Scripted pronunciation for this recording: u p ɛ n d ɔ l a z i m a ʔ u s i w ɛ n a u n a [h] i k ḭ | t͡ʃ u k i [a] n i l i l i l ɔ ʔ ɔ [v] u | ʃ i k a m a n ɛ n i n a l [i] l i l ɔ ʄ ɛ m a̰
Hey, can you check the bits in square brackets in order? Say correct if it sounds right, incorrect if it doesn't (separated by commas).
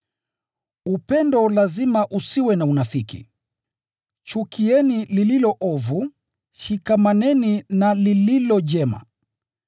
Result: incorrect, incorrect, correct, correct